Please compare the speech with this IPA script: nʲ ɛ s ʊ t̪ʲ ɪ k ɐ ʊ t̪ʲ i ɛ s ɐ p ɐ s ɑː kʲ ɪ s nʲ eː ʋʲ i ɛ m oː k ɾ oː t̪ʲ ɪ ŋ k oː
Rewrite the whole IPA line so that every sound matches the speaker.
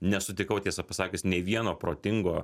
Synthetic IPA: nʲ ɛ s ʊ t̪ʲ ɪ k ɐ ʊ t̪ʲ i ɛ s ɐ p ɐ s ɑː kʲ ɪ s nʲ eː ʋʲ i ɛ n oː p ɾ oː t̪ʲ ɪ ŋ ɡ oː